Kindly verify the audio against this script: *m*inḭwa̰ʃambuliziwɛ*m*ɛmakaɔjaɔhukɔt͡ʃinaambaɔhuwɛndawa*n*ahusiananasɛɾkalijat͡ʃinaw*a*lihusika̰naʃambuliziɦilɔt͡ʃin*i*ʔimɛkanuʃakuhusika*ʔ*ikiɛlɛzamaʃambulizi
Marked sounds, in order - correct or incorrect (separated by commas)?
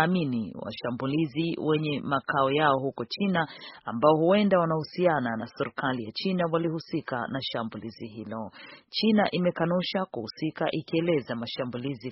correct, incorrect, correct, correct, incorrect, correct